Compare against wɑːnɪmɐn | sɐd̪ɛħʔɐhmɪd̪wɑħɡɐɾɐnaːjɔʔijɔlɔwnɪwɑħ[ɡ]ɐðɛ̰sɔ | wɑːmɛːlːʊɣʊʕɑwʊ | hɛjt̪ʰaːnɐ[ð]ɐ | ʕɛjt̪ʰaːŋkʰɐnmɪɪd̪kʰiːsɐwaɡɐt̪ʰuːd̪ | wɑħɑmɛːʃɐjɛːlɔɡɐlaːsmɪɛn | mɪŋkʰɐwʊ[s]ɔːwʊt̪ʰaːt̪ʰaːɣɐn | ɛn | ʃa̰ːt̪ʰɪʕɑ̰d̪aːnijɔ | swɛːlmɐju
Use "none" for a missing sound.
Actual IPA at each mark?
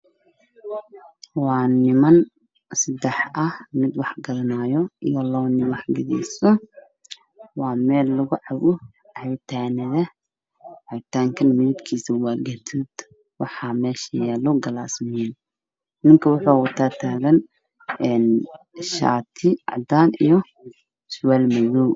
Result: ɡ, ð, ħ

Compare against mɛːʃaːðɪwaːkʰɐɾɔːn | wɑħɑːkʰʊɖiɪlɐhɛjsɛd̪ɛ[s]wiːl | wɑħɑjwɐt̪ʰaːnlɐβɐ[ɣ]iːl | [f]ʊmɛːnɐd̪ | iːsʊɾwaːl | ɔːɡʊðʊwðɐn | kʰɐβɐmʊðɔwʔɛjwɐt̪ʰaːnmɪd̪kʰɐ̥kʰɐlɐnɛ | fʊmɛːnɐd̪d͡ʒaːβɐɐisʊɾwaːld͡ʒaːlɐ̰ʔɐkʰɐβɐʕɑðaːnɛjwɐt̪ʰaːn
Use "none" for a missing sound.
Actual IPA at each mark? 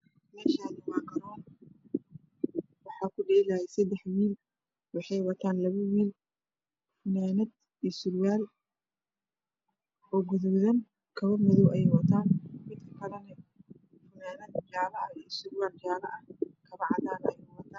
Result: ħ, w, f

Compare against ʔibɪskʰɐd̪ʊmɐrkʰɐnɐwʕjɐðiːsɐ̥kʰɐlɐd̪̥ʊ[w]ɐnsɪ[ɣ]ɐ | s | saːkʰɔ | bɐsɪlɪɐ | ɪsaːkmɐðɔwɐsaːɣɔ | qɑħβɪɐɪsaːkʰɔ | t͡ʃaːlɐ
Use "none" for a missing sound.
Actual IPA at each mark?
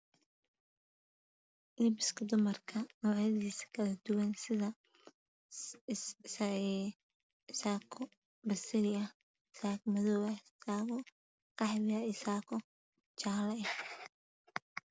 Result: w, ð

